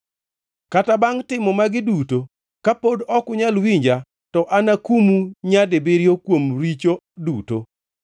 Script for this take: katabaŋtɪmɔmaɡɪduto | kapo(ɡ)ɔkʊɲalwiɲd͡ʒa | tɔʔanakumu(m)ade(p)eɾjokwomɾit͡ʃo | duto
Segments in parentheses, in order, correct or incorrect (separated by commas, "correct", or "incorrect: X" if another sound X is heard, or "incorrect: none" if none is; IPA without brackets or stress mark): incorrect: d, incorrect: ɲ, incorrect: b